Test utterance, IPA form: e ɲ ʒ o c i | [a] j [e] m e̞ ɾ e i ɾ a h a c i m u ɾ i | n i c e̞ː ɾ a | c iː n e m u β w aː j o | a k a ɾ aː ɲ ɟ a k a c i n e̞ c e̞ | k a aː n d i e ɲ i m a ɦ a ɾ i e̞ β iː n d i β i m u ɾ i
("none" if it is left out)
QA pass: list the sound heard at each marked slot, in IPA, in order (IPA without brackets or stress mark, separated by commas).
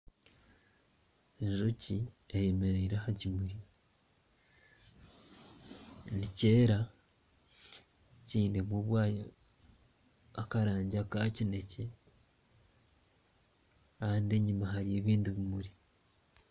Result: e, e